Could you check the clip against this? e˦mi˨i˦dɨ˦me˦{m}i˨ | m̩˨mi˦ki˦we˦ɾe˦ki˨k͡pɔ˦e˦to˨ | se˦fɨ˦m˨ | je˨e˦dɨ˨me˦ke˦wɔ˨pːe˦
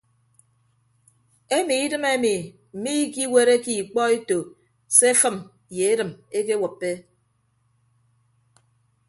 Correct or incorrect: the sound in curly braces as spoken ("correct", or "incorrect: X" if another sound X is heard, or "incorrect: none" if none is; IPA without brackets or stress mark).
correct